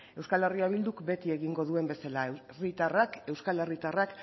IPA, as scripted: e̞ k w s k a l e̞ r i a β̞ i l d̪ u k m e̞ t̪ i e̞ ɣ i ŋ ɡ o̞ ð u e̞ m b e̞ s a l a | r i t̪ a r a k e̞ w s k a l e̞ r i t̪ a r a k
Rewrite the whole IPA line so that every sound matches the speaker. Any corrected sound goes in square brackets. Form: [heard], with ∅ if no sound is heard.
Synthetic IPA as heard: e̞ [∅] w s k a l e̞ r i a β̞ i l d̪ u k [b] e̞ t̪ i e̞ ɣ i ŋ ɡ o̞ ð u e̞ m b e̞ s a l a | r i t̪ a r a k e̞ w s k a l e̞ r i t̪ a r a k

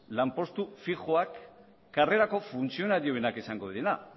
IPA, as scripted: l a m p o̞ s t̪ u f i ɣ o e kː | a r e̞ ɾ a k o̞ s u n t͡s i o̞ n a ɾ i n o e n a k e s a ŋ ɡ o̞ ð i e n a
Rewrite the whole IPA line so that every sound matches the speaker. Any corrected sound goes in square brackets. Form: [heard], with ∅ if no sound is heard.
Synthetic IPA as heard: l a m p o̞ s t̪ u f i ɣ o [a] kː | a r e̞ ɾ a k o̞ [f] u n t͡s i o̞ n a ɾ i [∅] o e n a k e s a ŋ ɡ o̞ ð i e n a

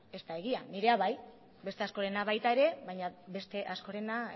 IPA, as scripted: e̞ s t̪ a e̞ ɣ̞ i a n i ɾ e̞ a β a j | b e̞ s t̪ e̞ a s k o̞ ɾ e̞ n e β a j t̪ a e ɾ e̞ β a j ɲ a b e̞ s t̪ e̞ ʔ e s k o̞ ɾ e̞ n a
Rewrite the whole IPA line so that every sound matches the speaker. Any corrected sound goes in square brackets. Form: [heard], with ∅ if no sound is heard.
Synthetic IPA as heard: e̞ s t̪ a e̞ ɣ̞ i a n i ɾ e̞ a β a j | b e̞ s t̪ e̞ a s k o̞ ɾ e̞ n [a] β a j t̪ a e ɾ e̞ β a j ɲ a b e̞ s t̪ e̞ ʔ [a] s k o̞ ɾ e̞ n a

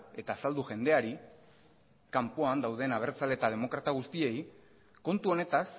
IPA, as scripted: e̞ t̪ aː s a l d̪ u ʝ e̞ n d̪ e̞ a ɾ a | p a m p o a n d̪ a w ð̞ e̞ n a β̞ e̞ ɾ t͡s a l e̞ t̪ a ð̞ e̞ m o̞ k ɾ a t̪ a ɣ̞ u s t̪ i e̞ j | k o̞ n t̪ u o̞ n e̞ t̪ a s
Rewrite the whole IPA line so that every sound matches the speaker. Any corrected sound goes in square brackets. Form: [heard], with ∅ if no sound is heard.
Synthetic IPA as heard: e̞ t̪ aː s a l d̪ u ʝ e̞ n d̪ e̞ a ɾ [i] | [k] a m p o a n d̪ a w ð̞ e̞ n a β̞ e̞ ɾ t͡s a l e̞ t̪ a ð̞ e̞ m o̞ k ɾ a t̪ a ɣ̞ u s t̪ i e̞ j | k o̞ n t̪ u o̞ n e̞ t̪ a s

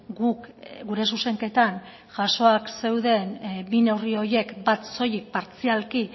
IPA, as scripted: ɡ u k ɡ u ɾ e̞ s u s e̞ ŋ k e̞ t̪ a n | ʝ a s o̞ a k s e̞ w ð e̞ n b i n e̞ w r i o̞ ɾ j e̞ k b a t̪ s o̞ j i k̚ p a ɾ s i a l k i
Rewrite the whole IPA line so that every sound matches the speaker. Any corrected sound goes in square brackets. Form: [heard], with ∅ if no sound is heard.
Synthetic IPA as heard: ɡ u k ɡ u ɾ e̞ s u s e̞ ŋ k e̞ t̪ a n | ʝ a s o̞ a k s e̞ w ð e̞ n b i n e̞ w r i o̞ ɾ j e̞ k b a t̪ s o̞ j i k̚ p a ɾ [t͡s] i a l k i

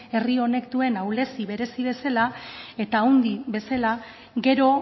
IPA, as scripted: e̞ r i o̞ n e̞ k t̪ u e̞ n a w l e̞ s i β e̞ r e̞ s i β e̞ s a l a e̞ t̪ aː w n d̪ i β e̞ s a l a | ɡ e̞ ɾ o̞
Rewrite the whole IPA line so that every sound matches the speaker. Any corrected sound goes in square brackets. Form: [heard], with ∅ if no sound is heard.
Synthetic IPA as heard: e̞ r i o̞ n e̞ k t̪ u e̞ n a w l e̞ s i β e̞ [ɾ] e̞ s i β e̞ s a l a e̞ t̪ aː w n d̪ i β e̞ s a l a | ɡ e̞ ɾ o̞

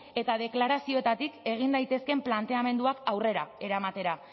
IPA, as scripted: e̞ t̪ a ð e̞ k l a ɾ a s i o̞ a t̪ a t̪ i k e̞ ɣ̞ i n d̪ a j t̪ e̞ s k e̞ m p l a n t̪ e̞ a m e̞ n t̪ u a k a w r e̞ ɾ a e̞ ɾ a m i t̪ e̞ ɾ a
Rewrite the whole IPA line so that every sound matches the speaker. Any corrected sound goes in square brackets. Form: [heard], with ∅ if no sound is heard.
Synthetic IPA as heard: e̞ t̪ a ð e̞ k l a ɾ a s i o̞ [e] t̪ a t̪ i k e̞ ɣ̞ i n d̪ a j t̪ e̞ s k e̞ m p l a n t̪ e̞ a m e̞ n [d̪] u a k a w r e̞ ɾ a e̞ ɾ a m [a] t̪ e̞ ɾ a

